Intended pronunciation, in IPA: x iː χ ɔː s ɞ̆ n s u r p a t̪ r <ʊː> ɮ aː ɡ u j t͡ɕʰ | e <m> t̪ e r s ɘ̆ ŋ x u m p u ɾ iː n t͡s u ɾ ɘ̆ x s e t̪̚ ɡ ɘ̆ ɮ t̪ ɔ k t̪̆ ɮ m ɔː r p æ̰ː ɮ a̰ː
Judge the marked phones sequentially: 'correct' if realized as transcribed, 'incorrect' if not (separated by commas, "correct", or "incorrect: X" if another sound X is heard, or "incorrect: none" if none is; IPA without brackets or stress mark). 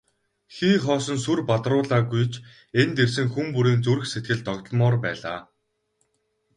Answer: correct, incorrect: n